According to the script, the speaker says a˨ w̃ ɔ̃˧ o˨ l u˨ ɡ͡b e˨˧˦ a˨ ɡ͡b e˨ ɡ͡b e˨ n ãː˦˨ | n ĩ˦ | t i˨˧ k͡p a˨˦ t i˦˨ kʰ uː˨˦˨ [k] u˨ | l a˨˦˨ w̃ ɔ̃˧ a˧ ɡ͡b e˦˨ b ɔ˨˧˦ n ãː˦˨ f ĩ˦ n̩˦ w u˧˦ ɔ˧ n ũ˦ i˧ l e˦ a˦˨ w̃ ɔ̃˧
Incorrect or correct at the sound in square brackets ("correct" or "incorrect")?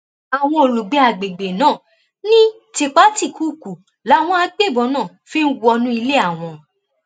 correct